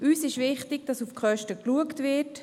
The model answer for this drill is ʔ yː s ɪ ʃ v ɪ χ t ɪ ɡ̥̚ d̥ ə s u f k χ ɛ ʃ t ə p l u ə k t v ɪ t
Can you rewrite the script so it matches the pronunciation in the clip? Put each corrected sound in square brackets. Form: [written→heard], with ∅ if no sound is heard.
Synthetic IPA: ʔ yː s ɪ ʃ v ɪ χ t ɪ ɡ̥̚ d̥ [ə→ɑ] s u f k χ [ɛ→œ] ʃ t ə [p→k] l u ə k t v ɪ t